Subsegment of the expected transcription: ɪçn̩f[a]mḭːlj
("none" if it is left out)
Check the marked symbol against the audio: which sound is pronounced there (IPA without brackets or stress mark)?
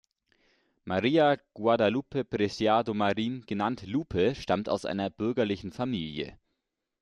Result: a